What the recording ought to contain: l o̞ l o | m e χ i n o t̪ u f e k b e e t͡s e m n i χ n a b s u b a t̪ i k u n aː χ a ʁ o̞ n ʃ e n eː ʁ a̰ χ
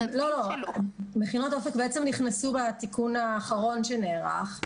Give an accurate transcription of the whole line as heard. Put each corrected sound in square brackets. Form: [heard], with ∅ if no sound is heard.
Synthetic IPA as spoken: l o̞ l o | m e χ i n o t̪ [o] f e k b e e t͡s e m n i χ n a [∅] s u b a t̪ i k u n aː χ a ʁ o̞ n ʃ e n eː ʁ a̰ χ

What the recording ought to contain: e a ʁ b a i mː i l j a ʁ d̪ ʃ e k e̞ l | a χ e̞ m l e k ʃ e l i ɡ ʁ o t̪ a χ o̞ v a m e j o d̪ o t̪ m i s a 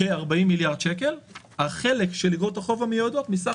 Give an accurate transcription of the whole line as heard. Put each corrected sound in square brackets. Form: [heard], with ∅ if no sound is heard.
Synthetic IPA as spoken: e a ʁ b a i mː i l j a ʁ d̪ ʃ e k e̞ l | a χ e̞ [∅] l e k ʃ e l i ɡ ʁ o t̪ a χ o̞ v a m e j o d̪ o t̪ m i s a

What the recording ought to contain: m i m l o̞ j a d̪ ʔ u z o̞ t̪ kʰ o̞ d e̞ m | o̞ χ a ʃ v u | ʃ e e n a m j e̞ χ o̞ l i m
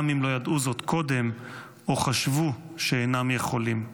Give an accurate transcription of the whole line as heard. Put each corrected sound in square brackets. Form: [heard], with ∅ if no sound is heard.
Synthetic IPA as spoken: m i m l o̞ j a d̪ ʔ u z o̞ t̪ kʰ o̞ d e̞ m | o̞ χ a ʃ v u | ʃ e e n a m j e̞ χ o̞ l i m

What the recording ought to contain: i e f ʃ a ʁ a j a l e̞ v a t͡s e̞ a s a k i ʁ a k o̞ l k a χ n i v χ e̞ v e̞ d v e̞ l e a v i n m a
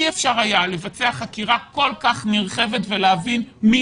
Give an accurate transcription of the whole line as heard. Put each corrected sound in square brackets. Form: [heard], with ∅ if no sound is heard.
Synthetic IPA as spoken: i e f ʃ a ʁ a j a l e̞ v a t͡s e̞ a [χ] a k i ʁ a k o̞ l k a χ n i [ʁ] χ e̞ v e̞ [t] v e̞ l e a v i n m [i]

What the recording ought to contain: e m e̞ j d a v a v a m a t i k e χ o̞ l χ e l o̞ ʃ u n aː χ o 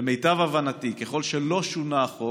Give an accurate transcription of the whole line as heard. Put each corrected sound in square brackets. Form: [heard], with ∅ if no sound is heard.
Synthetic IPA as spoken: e m e̞ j [t] a v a v a [n] a t i k e χ o̞ l [ʃ] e l o̞ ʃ u n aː χ o

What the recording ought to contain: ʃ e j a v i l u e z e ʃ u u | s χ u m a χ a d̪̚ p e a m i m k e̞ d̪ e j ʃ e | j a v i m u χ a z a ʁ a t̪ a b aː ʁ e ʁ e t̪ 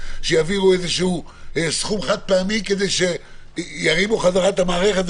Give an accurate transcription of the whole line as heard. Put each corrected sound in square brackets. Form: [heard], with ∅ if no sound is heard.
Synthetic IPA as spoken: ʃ e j a v i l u e z e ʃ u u | s χ u m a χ a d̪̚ p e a m i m k e̞ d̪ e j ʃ e | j a [ʁ] i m u χ a z a ʁ a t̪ a [m] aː ʁ e [χ] e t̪

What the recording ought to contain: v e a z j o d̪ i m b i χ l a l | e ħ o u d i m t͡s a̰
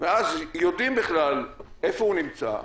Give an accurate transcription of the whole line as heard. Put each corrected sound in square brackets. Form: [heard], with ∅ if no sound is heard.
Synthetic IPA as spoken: v e a z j o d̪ i m b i χ l a l | e [f] o u [n] i m t͡s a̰

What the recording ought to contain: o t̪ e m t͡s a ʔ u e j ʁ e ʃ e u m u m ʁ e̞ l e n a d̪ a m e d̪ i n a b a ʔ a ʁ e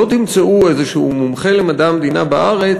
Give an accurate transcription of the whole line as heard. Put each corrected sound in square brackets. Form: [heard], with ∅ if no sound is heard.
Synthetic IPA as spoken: o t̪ [i] m t͡s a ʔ u e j [z] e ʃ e u m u m [χ] e̞ l e [m] a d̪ a m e d̪ i n a b a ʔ a ʁ e

